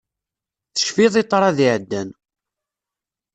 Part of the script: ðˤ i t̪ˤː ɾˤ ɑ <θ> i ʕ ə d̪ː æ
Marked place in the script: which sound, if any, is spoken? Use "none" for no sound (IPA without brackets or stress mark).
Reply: ð